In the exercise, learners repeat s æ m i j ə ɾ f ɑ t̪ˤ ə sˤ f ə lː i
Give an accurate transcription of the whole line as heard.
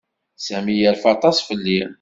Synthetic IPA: s æ m i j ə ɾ f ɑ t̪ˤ ɑ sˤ f ə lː i